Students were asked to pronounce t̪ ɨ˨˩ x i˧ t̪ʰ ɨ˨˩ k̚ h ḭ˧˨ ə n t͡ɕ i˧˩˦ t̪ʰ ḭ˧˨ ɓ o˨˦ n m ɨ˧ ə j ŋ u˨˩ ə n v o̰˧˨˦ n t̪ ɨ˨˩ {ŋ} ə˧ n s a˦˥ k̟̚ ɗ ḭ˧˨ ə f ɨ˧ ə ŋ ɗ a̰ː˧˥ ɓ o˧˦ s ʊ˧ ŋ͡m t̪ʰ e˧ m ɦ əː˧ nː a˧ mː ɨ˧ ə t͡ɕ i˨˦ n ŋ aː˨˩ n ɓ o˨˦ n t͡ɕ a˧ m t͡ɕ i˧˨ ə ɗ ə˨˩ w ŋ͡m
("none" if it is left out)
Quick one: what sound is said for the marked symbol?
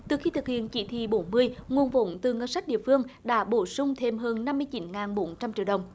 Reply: ŋ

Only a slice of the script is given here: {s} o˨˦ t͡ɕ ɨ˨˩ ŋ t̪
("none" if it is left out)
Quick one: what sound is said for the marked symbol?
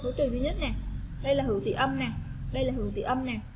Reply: s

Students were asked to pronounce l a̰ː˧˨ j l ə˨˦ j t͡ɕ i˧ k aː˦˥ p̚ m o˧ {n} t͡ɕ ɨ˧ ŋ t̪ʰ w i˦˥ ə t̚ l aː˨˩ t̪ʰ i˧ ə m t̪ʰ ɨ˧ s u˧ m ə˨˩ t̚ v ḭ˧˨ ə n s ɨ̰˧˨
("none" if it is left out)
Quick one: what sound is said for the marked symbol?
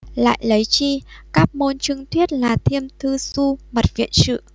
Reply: n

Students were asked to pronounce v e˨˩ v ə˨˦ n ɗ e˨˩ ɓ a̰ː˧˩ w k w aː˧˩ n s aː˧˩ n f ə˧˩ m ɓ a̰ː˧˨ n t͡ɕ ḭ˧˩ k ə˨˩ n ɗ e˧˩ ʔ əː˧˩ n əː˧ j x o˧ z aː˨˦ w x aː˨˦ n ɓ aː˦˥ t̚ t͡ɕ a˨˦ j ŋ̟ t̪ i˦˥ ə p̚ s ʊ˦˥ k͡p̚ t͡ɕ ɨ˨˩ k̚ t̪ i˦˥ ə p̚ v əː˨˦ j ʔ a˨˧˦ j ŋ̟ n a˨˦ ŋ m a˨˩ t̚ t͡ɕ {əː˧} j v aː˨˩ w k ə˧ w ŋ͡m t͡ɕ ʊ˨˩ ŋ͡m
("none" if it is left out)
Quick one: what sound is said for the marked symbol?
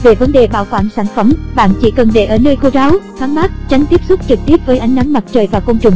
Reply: əː˨˩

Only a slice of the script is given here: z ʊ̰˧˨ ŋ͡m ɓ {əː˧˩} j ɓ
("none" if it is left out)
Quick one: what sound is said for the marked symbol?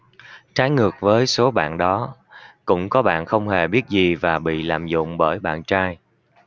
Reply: əː˧˩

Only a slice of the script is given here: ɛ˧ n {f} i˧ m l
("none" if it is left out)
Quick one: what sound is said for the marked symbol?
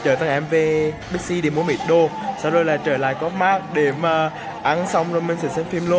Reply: f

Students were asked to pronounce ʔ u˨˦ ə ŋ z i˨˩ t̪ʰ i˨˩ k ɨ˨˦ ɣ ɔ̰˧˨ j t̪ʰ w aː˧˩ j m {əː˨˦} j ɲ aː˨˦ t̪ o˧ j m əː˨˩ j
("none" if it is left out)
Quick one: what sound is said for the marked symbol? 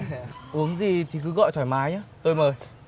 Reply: aː˨˦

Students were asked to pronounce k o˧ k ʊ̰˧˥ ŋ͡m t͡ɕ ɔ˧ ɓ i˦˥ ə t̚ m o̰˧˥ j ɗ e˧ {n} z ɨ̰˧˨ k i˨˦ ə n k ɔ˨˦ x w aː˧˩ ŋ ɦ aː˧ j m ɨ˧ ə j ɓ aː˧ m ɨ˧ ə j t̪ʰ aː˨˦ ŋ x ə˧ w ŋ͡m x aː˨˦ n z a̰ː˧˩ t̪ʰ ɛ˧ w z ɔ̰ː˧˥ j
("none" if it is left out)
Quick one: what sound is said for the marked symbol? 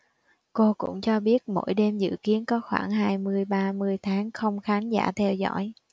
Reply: m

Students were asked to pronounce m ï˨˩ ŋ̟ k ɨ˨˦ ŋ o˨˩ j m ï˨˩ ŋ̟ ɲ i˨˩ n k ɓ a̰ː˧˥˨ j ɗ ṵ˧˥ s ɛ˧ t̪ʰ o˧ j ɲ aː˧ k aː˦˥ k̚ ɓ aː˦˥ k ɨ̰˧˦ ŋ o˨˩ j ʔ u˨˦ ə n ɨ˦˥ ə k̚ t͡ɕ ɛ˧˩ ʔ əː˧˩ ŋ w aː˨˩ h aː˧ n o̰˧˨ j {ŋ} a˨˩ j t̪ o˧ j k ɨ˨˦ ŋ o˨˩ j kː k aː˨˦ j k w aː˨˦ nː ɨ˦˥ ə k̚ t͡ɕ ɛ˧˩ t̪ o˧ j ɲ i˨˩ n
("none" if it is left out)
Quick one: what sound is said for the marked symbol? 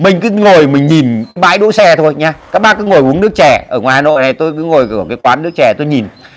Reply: n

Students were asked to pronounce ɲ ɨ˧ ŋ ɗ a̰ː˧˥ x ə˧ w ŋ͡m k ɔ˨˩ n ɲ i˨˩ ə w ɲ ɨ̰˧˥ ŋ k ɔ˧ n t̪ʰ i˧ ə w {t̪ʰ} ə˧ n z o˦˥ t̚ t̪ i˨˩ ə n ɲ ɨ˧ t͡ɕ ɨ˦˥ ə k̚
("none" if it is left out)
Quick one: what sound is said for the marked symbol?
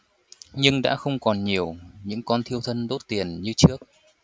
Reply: t̪ʰ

